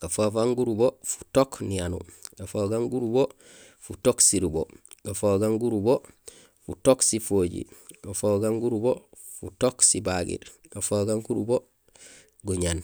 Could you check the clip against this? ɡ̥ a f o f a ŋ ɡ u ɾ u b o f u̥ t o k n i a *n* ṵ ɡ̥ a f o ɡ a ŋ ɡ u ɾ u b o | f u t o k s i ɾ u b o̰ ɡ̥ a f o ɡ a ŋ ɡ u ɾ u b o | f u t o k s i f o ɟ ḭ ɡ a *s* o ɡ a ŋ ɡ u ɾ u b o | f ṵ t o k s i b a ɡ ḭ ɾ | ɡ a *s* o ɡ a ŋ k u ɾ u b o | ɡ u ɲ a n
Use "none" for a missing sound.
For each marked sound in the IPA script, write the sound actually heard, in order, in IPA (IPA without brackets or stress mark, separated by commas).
n, f, f